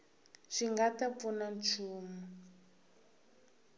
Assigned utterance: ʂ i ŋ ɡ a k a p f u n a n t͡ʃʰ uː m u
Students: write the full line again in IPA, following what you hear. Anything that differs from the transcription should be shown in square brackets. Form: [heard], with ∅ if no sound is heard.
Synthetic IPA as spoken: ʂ i ŋ ɡ a [t] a p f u n a n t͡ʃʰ uː m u